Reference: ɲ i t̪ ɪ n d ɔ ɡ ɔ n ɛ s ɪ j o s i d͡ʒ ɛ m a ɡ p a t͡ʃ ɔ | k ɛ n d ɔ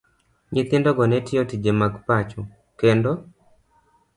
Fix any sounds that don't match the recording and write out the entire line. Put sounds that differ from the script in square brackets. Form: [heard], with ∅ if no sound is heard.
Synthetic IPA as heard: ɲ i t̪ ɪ n d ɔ ɡ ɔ n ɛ [t] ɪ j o [t] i d͡ʒ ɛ m a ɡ p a t͡ʃ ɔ | k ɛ n d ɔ

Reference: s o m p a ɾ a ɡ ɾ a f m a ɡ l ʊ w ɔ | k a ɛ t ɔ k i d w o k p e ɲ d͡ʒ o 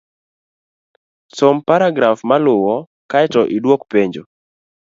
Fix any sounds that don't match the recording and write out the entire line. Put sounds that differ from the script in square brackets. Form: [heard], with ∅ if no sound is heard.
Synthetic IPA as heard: s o m p a ɾ a ɡ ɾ a f m a [∅] l ʊ w ɔ | k a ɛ t ɔ [ʔ] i d w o k p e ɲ d͡ʒ o

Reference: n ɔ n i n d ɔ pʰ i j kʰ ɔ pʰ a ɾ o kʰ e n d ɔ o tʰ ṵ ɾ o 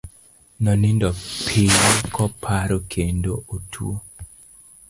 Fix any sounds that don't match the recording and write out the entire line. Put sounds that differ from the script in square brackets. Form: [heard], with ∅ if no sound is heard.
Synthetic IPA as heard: n ɔ n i n d ɔ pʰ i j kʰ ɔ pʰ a ɾ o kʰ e n d [o] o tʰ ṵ [∅] o

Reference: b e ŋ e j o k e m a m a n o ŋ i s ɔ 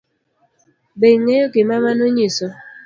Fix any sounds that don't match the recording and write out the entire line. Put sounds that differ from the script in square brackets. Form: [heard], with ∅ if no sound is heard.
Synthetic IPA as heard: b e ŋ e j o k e m a m a n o [ɲ] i s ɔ

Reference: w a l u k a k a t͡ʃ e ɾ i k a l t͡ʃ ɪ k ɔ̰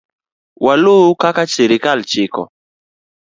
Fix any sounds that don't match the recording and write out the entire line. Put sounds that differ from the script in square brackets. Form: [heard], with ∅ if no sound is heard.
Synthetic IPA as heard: w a l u k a k a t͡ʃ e ɾ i k a l t͡ʃ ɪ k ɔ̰

